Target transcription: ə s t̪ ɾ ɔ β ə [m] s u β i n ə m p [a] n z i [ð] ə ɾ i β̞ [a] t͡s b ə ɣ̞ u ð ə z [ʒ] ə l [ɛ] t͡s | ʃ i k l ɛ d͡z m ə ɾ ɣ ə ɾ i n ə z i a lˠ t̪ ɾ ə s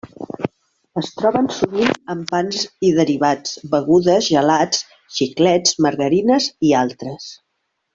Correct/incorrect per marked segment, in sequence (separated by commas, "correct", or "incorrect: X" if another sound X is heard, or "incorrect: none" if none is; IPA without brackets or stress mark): incorrect: n, correct, correct, correct, correct, incorrect: a